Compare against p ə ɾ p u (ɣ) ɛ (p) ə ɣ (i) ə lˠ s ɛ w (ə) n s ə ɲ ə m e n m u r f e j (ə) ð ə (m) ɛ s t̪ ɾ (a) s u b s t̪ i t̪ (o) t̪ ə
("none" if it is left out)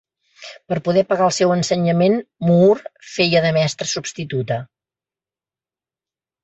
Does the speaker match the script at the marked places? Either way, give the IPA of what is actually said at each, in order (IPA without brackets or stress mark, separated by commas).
ð, p, a, ə, ə, m, ə, u